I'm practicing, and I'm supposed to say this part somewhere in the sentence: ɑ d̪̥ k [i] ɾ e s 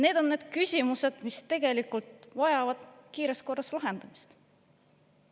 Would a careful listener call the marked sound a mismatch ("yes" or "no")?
yes